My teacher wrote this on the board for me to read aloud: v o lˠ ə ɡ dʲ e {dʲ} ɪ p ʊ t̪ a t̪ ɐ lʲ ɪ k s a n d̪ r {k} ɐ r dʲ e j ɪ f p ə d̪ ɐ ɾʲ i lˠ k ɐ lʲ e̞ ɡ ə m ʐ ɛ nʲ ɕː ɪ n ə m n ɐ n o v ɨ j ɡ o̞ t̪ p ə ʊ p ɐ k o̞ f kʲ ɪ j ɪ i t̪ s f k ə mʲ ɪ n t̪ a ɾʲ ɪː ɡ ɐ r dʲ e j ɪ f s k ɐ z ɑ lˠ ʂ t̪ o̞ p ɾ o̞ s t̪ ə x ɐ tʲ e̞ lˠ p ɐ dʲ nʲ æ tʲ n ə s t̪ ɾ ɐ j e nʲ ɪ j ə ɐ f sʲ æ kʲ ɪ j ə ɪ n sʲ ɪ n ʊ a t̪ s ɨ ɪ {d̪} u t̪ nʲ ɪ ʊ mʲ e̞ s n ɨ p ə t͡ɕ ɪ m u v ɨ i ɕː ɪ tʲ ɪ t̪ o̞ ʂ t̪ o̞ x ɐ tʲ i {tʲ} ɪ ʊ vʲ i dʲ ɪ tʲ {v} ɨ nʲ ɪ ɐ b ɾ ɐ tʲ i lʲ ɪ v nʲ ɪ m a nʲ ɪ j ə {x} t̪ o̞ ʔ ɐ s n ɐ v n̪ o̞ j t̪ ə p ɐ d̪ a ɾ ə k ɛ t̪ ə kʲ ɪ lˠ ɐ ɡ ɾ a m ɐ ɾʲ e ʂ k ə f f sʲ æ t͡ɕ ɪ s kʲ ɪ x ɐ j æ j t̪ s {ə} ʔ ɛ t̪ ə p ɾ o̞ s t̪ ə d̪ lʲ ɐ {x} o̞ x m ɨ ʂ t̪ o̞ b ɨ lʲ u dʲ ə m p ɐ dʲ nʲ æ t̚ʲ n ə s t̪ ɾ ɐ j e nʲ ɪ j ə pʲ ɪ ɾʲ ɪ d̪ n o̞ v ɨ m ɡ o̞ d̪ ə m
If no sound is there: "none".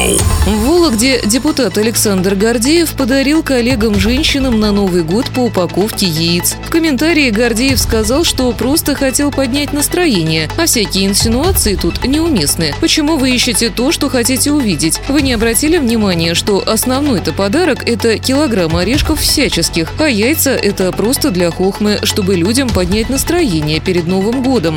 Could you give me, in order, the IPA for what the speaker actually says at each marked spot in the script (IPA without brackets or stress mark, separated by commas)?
dʲ, ɡ, t̪, tʲ, v, ʂ, ə, x